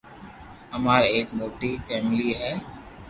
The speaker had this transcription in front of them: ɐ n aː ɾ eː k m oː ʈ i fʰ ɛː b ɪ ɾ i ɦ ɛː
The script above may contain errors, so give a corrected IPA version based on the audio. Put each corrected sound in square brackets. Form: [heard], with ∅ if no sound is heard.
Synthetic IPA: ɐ [m] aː ɾ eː k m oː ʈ i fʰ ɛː [m] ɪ [l] i ɦ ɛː

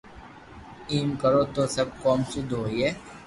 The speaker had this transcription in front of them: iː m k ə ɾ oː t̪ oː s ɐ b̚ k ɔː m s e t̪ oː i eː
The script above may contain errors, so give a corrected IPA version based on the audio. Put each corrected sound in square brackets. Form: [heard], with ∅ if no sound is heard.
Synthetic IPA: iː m k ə ɾ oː t̪ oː s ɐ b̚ k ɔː m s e [d̪] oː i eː

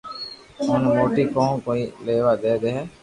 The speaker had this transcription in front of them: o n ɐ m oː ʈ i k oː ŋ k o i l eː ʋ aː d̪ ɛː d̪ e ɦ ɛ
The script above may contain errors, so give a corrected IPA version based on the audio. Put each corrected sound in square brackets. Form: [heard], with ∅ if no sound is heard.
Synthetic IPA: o n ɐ m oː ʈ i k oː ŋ k o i l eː ʋ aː d̪ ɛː d̪ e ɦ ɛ

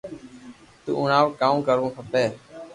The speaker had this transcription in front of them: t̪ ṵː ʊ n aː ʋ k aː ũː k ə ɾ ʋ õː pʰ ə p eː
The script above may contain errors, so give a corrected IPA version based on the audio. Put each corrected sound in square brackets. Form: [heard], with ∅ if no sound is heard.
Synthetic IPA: t̪ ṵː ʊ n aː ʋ k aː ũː k ə ɾ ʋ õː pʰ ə p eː

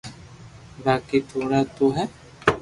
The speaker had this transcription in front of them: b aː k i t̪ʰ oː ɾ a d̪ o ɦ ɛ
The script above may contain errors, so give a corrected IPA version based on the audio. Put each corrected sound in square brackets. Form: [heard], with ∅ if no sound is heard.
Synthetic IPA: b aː k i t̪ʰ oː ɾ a [t̪] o ɦ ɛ

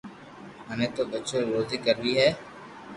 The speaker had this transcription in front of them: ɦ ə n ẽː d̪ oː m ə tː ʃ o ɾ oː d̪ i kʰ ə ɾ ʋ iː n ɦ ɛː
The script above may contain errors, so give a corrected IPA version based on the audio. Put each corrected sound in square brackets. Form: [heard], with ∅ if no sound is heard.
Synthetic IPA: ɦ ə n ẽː [t̪] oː [b] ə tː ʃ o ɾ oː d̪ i [k] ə ɾ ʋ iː [∅] ɦ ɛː

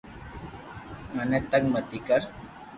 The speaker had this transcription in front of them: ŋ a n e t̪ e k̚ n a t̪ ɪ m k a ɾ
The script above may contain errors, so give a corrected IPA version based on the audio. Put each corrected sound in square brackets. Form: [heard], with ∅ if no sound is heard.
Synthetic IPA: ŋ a n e t̪ [a] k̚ [m] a t̪ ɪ [∅] k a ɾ

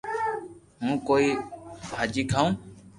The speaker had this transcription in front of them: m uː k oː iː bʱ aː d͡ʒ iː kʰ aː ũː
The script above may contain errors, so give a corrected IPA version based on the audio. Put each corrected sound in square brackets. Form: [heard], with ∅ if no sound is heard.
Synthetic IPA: m [ũː] k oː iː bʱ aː d͡ʒ iː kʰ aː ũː

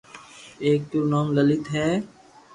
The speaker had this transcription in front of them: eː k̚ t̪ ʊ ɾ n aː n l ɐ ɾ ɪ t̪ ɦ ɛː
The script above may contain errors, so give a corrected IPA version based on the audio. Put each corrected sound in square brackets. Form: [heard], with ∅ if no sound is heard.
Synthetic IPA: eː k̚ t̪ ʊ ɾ n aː [m] l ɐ [l] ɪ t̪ ɦ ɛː

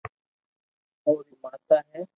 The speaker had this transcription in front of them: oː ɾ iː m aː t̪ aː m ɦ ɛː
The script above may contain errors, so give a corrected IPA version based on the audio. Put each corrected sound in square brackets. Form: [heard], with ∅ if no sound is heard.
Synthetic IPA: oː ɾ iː m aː t̪ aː [∅] ɦ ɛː

